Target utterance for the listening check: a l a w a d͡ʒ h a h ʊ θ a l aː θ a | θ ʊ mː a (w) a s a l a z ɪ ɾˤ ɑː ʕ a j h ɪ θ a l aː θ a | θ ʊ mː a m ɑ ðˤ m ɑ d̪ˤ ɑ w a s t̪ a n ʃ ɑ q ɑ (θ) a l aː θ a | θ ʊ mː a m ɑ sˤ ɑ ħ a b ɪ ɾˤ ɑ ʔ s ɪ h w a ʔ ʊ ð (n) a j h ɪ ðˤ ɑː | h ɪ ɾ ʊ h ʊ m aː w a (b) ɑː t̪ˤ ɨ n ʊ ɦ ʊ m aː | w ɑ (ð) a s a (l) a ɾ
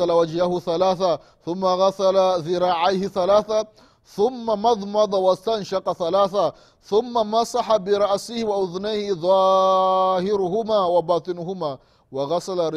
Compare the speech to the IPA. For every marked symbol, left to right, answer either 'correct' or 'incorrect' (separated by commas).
incorrect, correct, correct, correct, incorrect, correct